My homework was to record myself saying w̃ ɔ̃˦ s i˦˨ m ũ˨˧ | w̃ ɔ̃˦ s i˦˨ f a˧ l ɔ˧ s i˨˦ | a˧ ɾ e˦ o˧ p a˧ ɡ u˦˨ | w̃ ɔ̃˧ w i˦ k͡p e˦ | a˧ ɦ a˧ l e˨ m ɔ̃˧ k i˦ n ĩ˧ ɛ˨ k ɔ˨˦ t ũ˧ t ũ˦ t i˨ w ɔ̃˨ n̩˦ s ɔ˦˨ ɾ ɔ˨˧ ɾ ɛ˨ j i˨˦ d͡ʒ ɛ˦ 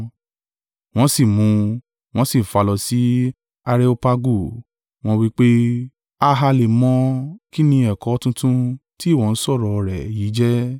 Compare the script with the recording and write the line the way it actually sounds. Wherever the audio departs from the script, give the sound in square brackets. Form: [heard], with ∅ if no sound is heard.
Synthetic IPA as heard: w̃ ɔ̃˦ s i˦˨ m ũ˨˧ | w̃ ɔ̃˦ s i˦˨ f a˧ l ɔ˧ s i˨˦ | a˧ ɾ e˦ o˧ p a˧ ɡ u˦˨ | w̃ ɔ̃˧ w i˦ k͡p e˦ | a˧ ɦ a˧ l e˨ m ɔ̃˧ k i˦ n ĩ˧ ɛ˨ k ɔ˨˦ t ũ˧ t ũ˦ t [i˦˨] w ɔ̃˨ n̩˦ s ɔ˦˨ ɾ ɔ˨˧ ɾ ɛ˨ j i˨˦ d͡ʒ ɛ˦